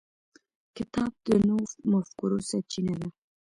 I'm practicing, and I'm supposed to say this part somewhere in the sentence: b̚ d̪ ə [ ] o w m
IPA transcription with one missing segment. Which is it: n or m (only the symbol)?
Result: n